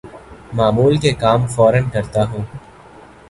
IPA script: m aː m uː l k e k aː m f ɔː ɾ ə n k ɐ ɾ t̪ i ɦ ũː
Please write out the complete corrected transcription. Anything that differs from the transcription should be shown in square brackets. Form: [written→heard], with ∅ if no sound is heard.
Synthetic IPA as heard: m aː m uː l k e k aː m f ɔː ɾ ə n k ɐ ɾ t̪ [i→a] ɦ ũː